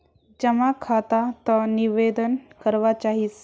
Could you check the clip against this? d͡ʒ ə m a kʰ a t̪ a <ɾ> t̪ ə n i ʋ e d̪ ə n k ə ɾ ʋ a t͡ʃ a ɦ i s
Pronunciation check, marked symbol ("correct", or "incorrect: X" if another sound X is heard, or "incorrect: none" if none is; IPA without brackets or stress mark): incorrect: none